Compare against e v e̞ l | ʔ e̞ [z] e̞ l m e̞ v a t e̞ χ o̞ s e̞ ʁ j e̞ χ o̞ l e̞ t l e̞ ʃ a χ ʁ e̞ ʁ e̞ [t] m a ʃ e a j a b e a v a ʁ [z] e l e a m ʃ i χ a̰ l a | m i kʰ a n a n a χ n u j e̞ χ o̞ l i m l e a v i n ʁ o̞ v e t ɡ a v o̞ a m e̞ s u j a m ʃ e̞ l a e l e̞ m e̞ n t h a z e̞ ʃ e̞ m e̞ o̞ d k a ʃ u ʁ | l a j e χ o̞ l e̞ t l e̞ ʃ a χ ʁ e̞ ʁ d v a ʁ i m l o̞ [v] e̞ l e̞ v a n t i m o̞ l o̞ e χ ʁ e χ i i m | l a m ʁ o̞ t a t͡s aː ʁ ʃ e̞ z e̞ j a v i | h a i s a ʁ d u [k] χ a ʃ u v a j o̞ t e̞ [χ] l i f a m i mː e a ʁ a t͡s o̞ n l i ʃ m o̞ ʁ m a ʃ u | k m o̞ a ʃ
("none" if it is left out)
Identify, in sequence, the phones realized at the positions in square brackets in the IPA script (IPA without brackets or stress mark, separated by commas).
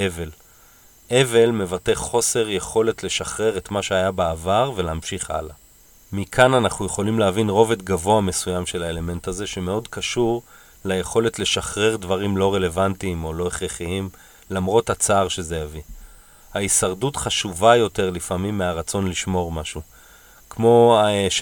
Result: v, t, v, ʁ, t, ʁ